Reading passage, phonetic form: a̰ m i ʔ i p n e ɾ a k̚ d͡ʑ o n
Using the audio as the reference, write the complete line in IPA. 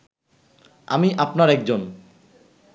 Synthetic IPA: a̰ m i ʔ a p n a ɾ ɛ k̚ d͡ʑ o n